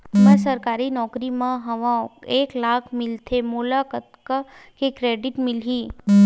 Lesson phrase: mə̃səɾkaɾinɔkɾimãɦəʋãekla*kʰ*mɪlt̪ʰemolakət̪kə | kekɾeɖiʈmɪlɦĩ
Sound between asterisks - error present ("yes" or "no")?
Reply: no